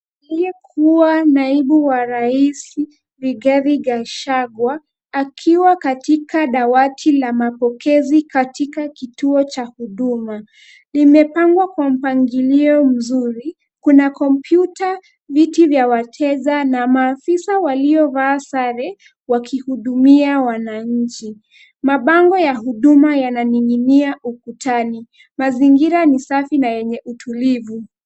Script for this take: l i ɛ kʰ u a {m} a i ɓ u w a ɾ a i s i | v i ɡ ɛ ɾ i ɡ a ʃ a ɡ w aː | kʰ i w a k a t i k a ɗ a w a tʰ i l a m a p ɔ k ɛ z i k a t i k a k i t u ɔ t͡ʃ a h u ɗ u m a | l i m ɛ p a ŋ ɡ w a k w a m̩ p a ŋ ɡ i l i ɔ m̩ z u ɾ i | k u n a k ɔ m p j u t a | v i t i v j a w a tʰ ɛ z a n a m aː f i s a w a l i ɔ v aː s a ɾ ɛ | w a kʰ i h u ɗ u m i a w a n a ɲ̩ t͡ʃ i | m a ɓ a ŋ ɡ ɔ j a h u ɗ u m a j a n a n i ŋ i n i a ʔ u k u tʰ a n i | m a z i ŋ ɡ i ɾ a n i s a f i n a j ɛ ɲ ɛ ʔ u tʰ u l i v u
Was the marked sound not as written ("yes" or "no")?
yes